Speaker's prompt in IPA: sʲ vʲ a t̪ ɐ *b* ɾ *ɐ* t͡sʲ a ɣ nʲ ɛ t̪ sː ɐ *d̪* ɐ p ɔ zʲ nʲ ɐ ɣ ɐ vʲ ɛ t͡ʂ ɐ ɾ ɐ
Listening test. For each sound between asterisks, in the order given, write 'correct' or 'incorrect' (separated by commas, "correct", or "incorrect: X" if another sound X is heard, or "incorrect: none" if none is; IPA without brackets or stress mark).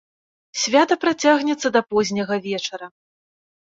incorrect: p, incorrect: a, correct